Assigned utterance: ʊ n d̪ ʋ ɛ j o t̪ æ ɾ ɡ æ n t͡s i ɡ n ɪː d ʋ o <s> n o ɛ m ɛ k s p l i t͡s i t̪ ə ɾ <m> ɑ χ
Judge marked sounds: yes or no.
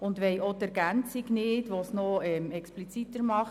yes, yes

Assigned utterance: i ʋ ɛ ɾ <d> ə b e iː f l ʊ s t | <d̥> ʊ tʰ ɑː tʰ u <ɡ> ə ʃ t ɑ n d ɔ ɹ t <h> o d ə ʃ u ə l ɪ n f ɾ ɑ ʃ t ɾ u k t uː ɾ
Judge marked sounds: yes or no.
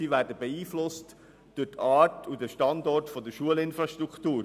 yes, yes, no, no

